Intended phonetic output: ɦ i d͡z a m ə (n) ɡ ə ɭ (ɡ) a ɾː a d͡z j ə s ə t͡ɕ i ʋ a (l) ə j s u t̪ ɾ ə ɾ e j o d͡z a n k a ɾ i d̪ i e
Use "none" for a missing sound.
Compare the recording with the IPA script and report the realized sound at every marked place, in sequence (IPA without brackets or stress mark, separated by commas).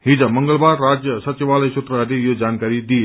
ŋ, b, l